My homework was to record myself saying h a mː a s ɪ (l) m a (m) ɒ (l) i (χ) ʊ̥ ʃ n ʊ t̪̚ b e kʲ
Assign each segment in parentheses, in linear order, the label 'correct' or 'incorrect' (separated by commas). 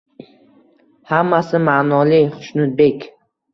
incorrect, incorrect, correct, correct